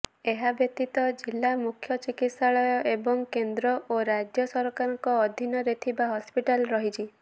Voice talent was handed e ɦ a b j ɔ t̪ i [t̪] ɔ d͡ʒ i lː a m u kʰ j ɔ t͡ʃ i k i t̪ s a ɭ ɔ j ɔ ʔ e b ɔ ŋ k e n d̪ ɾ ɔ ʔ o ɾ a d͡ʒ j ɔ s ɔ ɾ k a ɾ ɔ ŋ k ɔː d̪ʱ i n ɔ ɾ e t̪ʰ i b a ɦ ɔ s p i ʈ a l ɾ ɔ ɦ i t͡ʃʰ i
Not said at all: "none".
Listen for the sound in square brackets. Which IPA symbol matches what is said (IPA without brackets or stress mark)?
t̪